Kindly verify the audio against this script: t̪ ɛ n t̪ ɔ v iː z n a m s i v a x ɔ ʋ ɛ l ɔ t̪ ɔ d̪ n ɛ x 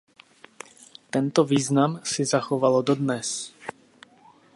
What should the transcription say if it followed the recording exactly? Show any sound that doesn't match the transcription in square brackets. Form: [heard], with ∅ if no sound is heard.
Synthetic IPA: t̪ ɛ n t̪ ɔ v iː z n a m s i [z] a x ɔ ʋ [a] l ɔ [d̪] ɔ d̪ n ɛ [s]

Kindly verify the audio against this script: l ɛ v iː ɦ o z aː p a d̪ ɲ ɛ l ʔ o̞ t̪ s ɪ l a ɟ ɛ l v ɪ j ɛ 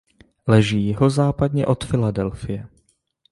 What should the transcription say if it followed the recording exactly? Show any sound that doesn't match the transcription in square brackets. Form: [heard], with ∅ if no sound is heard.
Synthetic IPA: l ɛ [ʒ] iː ɦ o z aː p a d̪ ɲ ɛ [∅] ʔ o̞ t̪ [f] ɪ l a [d] ɛ l [f] ɪ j ɛ

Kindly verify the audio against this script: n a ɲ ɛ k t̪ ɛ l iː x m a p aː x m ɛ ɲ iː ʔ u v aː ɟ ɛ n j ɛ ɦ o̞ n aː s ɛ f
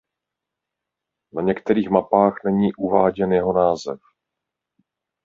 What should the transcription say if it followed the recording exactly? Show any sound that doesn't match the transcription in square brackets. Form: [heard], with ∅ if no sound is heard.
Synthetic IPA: n a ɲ ɛ k t̪ ɛ [ɾ] iː x m a p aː x [n] ɛ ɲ iː ʔ u v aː ɟ ɛ n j ɛ ɦ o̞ n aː [z] ɛ f

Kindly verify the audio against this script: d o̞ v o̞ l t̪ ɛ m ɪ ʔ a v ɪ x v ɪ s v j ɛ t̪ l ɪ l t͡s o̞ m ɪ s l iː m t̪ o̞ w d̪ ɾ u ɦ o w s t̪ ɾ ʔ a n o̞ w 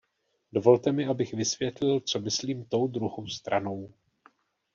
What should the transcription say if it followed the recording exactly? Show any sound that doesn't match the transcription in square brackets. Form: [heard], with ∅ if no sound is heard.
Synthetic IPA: d o̞ v o̞ l t̪ ɛ m ɪ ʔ a [b] ɪ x v ɪ s v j ɛ t̪ l ɪ l t͡s o̞ m ɪ s l iː m t̪ o̞ w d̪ ɾ u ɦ o w s t̪ ɾ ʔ a n o̞ w

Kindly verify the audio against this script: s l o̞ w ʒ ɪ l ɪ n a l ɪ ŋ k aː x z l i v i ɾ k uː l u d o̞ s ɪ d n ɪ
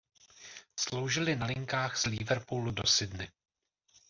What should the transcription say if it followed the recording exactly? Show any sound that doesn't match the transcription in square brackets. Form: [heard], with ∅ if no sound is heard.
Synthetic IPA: s l o̞ w ʒ ɪ l ɪ n a l ɪ ŋ k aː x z l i v [ɛ] ɾ [p] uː l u d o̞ s ɪ d n ɪ

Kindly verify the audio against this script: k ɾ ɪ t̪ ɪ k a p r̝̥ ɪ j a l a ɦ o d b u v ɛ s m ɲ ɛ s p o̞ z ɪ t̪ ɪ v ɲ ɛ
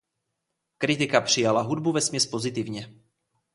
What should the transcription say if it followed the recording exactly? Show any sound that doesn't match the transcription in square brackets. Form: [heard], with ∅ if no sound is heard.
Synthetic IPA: k ɾ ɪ t̪ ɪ k a p r̝̥ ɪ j a l a ɦ [u] d b u v ɛ s m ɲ ɛ s p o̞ z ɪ t̪ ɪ v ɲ ɛ

